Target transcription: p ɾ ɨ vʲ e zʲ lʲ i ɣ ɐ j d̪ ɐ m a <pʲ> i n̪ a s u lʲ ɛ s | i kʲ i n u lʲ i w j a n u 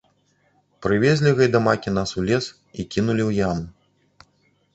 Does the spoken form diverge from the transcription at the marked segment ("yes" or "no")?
yes